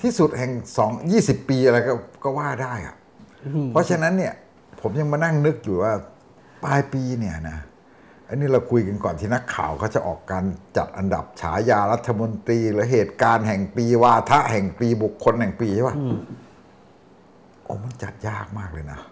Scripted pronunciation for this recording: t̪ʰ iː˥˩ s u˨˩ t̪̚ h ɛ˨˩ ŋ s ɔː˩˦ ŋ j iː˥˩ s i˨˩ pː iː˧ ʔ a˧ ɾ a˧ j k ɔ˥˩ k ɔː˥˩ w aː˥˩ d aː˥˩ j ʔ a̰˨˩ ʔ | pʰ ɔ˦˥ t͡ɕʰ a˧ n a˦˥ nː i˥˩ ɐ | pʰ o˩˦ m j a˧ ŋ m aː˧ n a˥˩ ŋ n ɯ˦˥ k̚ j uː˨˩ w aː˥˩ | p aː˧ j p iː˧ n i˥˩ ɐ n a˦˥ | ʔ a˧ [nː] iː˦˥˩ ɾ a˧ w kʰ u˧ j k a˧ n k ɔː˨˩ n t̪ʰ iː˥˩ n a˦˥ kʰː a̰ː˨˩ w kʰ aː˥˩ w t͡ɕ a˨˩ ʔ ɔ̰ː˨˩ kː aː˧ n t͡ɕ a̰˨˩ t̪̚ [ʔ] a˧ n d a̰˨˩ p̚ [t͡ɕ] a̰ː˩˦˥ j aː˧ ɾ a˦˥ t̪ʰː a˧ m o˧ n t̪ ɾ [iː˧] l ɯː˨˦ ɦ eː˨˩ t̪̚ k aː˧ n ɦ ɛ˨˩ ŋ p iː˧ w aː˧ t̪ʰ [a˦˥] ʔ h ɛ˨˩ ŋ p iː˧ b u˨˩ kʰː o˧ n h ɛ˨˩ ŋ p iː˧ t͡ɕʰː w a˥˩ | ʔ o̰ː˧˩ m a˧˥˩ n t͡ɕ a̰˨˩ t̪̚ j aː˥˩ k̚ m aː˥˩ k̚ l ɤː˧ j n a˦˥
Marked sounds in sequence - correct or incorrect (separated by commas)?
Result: incorrect, correct, incorrect, correct, correct